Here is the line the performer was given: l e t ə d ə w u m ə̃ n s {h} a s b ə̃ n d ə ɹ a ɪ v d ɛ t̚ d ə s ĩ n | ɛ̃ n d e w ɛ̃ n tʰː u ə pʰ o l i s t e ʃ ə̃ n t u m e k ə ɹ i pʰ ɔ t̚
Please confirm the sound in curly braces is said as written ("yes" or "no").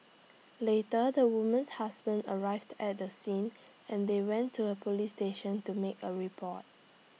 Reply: yes